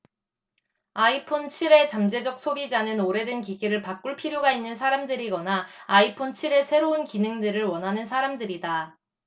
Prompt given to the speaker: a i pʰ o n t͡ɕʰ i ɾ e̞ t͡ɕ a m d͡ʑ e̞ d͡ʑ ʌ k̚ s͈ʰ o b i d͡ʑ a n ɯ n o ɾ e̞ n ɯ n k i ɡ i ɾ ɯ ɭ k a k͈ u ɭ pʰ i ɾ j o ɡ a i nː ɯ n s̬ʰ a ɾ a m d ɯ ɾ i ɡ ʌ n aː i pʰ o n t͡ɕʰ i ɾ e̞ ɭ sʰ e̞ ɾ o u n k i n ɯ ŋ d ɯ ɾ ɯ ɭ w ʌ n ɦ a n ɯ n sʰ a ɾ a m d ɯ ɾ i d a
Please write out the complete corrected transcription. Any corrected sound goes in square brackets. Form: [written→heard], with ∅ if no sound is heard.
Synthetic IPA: a i pʰ o n t͡ɕʰ i ɾ e̞ t͡ɕ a m d͡ʑ e̞ d͡ʑ ʌ k̚ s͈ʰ o b i d͡ʑ a n ɯ n o ɾ e̞ [n→d] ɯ n k i ɡ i ɾ ɯ ɭ [k→p] a k͈ u ɭ pʰ i ɾ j o ɡ a i nː ɯ n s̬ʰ a ɾ a m d ɯ ɾ i ɡ ʌ n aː i pʰ o n t͡ɕʰ i ɾ e̞ [ɭ→∅] sʰ e̞ ɾ o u n k i n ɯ ŋ d ɯ ɾ ɯ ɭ w ʌ n ɦ a n ɯ n sʰ a ɾ a m d ɯ ɾ i d a